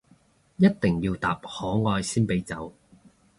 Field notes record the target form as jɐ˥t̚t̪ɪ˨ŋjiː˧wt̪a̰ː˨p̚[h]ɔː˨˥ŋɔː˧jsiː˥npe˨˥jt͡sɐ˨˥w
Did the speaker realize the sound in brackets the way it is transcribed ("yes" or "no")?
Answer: yes